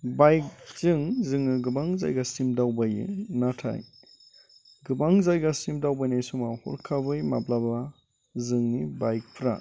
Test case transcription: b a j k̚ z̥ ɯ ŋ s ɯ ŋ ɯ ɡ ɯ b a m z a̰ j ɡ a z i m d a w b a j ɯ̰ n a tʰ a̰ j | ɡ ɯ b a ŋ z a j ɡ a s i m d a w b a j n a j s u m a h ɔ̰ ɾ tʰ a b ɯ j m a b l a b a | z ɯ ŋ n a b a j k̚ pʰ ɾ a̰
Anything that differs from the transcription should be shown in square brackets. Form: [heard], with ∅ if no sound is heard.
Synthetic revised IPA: b a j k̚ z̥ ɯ ŋ [z] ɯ ŋ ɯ ɡ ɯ b a [ŋ] z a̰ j ɡ a [s] i m d a w b a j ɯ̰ n a tʰ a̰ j | ɡ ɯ b a ŋ z a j ɡ a s i m d a w b a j n a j s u m a h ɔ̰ ɾ [kʰ] a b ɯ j m a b l a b a | z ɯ ŋ n [i] b a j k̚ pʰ ɾ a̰